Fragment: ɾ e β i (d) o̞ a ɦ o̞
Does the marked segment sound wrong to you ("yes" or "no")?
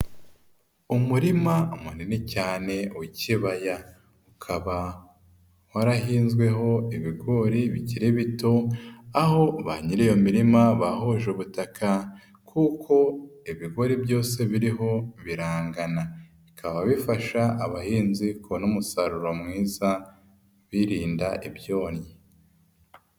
yes